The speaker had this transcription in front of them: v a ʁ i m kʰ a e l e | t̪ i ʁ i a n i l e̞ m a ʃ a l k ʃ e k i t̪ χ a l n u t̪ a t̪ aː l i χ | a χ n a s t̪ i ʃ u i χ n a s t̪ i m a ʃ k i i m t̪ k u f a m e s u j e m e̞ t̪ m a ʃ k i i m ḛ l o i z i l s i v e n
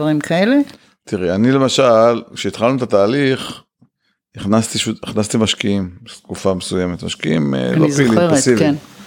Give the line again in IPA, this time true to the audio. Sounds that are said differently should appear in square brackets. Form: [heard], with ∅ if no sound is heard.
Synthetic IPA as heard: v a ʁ i m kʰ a e l e | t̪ i ʁ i a n i l e̞ m a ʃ a l k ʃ e [∅] i t̪ χ a l n u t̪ a t̪ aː l i χ | [i] χ n a s t̪ i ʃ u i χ n a s t̪ i m a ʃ k i i m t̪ k u f a m e s u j e m e̞ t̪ m a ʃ k i i m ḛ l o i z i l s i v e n